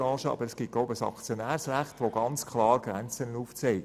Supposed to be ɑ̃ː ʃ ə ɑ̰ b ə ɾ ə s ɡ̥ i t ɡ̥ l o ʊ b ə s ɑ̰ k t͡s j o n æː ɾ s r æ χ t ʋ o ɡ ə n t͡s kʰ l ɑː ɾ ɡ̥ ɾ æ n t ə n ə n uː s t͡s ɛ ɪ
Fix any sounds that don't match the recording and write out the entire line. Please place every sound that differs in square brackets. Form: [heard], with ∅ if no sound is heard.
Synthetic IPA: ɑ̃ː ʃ ə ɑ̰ b ə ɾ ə s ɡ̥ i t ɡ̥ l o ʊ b ə s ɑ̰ k t͡s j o n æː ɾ s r æ χ t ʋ o ɡ [ɑ] n t͡s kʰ l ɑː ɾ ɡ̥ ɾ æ n [t͡s] ə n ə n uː [f] t͡s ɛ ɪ